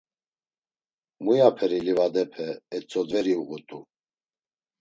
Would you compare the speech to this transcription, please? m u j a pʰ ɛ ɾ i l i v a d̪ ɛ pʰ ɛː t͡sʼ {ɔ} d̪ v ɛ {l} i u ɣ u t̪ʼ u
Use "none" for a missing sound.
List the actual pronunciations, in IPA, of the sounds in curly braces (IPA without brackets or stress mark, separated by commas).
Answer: ɔ, ɾ